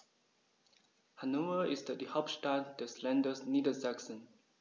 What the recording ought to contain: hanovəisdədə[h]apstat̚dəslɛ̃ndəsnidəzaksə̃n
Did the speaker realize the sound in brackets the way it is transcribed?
yes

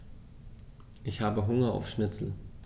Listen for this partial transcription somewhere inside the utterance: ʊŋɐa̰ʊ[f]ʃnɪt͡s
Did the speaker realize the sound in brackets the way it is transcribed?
yes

